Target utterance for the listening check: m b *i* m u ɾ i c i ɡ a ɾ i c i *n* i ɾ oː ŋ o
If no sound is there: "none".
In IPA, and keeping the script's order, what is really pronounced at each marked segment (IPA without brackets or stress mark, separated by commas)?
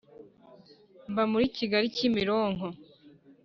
a, m